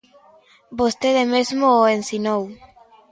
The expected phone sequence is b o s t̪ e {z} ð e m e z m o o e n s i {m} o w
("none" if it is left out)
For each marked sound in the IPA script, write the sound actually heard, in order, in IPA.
none, n

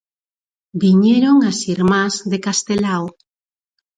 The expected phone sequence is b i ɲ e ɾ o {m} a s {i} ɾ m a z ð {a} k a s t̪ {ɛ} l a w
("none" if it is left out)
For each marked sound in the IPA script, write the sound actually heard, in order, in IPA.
ŋ, i, e, e

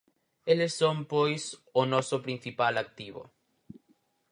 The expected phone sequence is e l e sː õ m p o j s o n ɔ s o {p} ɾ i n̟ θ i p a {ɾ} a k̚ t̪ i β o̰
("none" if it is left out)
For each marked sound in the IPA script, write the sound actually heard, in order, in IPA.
p, l

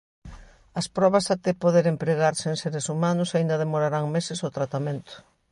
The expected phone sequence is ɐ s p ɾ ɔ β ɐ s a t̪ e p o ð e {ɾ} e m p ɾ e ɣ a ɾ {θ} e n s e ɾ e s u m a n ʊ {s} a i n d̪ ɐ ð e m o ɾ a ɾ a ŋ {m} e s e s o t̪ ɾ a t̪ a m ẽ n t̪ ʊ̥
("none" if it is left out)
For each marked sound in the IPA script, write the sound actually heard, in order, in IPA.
ɾ, s, s, m

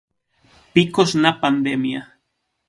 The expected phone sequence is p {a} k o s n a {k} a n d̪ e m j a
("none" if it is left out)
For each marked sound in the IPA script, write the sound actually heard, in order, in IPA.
i, p

